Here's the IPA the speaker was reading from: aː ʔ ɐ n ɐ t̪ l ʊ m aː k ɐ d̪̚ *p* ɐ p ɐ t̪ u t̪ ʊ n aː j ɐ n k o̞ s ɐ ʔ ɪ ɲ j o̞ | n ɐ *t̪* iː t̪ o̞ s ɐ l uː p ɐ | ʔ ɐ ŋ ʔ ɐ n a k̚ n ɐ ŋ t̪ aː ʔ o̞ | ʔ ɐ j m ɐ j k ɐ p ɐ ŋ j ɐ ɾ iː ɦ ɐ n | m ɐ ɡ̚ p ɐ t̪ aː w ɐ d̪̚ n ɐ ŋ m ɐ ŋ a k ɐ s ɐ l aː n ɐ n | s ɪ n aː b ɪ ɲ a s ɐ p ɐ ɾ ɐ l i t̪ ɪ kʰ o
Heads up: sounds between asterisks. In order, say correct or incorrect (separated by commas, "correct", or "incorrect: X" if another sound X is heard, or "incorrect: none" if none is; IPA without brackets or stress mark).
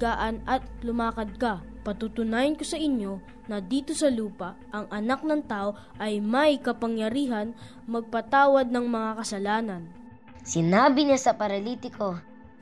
incorrect: k, incorrect: d̪